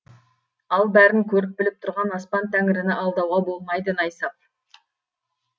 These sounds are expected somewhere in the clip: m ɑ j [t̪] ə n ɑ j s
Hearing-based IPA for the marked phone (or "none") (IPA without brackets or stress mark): d̪